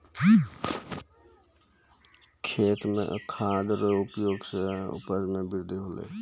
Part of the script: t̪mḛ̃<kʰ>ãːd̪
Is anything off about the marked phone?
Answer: no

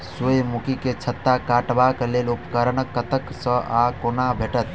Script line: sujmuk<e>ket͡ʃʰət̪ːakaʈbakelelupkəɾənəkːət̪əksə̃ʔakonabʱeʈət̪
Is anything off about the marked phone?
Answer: yes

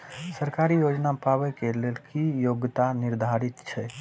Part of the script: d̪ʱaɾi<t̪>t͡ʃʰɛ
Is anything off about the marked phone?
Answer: no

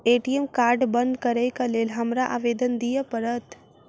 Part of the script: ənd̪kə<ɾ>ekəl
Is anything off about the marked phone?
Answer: no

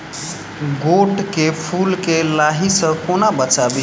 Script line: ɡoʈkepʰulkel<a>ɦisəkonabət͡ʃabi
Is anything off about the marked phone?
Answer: no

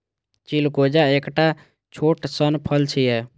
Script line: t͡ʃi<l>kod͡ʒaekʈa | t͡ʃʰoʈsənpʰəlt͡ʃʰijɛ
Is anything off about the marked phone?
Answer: no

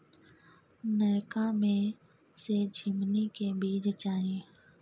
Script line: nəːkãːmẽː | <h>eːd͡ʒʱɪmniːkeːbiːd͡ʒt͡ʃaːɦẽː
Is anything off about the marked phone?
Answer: yes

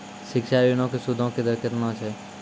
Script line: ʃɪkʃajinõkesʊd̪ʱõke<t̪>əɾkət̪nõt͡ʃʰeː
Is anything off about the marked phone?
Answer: yes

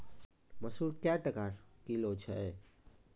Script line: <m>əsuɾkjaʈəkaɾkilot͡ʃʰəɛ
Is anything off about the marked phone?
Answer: no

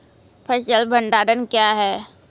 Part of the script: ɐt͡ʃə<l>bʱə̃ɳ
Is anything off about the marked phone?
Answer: no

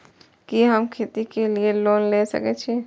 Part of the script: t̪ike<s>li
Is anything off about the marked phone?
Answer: yes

